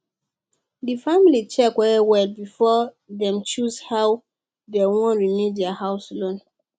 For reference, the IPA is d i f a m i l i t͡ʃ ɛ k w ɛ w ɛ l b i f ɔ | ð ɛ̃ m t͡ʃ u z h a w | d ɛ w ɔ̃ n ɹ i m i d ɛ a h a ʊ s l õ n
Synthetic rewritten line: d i f a m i l i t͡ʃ ɛ k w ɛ w ɛ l b i f ɔ | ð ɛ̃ m t͡ʃ u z h a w | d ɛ w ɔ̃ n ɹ i m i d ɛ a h a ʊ s l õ n